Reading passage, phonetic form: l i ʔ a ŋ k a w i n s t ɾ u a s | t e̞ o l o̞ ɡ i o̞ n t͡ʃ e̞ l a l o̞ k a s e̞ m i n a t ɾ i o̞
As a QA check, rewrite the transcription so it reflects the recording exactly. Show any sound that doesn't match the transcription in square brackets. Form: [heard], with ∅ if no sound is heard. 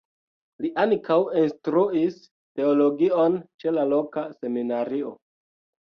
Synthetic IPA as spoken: l i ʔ a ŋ k a w i n s t ɾ u [i] s | t e̞ o l o̞ ɡ i o̞ n t͡ʃ e̞ l a l o̞ k a s e̞ m i n a [∅] ɾ i o̞

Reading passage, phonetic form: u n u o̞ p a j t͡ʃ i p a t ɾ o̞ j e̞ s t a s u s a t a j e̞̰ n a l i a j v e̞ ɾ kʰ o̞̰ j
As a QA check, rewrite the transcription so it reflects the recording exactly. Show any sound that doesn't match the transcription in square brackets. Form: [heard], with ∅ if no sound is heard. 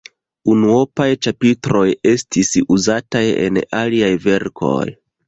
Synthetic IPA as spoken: u n u o̞ p a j t͡ʃ [a] p [i] t ɾ o̞ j e̞ s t [i] s u [z] a t a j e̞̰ n a l i a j v e̞ ɾ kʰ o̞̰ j

